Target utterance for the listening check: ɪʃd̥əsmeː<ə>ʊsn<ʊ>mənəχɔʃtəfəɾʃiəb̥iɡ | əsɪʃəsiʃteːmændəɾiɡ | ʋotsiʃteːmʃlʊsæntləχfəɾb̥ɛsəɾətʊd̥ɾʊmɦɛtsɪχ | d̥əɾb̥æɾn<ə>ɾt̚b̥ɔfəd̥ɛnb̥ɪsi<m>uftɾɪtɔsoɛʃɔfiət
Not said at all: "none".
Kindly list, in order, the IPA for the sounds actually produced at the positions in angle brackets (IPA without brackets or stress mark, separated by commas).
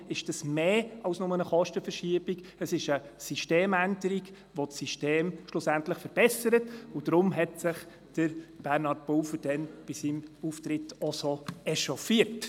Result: ɑ, ʊ, ɑ, m